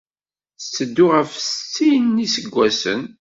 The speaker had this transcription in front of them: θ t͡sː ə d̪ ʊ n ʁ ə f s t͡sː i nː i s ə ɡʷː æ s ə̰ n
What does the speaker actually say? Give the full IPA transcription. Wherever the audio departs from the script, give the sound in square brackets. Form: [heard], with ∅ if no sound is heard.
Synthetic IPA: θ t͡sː ə [d̪ː] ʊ [∅] ʁ ə f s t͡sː i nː i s ə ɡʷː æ s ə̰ n